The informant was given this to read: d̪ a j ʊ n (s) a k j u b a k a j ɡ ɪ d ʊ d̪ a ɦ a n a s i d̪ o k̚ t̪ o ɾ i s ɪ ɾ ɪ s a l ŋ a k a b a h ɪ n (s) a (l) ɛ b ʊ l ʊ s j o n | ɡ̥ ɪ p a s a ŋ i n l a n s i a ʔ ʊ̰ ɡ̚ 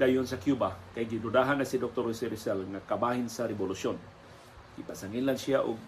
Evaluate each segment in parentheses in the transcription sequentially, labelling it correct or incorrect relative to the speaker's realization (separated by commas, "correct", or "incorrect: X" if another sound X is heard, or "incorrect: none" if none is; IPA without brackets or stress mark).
correct, correct, incorrect: ɾ